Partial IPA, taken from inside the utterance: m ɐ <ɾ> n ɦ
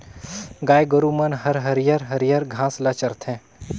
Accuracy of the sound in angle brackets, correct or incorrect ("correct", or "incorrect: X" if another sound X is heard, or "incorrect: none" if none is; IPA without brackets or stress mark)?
incorrect: none